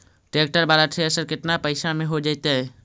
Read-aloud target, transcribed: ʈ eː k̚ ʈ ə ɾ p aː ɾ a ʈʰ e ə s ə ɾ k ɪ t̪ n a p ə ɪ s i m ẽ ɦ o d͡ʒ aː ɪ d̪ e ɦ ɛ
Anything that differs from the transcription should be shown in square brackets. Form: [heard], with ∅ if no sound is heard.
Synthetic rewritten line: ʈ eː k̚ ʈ ə ɾ [b] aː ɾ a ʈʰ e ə s ə ɾ k ɪ t̪ n a p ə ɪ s [a] m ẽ ɦ o d͡ʒ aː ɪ [t̪] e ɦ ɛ